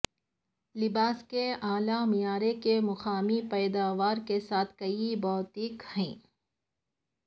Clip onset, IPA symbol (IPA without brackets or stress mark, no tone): l